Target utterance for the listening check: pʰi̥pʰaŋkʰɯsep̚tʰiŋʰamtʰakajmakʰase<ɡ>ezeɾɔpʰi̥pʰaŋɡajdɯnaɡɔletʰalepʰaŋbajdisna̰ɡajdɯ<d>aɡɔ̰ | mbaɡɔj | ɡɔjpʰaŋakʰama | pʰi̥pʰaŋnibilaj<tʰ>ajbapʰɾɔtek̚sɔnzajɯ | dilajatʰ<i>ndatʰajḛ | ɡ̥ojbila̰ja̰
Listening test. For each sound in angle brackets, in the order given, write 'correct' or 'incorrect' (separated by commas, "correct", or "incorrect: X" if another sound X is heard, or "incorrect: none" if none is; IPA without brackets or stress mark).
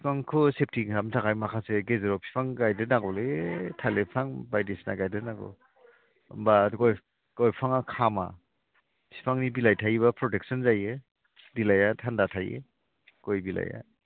correct, incorrect: n, correct, incorrect: a